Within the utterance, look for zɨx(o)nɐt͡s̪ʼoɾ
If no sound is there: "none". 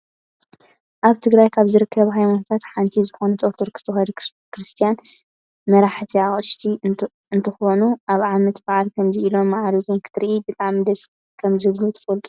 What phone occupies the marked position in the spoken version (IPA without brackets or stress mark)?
o